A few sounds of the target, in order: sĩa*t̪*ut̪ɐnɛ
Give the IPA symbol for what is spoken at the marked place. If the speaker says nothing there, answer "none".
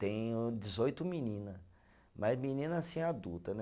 d̪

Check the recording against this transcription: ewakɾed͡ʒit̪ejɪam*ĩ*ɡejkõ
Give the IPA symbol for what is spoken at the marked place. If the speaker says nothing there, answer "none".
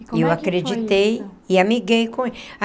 i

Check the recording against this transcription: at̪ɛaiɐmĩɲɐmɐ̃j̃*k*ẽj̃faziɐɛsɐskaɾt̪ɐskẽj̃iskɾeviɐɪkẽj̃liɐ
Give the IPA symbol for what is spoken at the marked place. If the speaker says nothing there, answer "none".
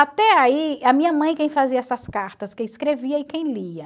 k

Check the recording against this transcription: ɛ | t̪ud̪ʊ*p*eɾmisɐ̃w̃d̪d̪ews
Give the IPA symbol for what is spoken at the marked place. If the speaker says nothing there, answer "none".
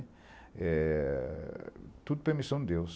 p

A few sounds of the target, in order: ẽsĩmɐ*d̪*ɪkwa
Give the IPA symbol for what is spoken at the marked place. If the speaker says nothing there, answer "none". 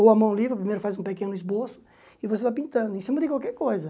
d̪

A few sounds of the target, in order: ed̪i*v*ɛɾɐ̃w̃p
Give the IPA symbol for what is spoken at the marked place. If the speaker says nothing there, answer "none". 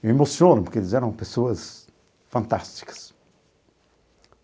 z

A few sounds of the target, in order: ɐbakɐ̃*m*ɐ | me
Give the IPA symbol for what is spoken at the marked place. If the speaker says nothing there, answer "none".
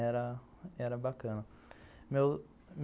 n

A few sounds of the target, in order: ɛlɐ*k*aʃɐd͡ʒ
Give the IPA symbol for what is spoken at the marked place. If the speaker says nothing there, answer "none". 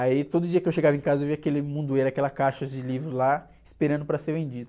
k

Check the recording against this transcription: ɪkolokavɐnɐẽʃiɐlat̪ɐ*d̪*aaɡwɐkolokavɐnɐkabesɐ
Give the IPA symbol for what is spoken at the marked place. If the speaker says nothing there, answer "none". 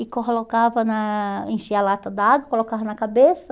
d̪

